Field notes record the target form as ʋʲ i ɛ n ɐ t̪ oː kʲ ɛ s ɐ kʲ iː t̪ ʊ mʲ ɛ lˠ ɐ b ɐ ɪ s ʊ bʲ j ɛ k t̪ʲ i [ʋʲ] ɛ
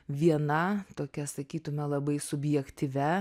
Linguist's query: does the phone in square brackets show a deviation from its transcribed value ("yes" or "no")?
no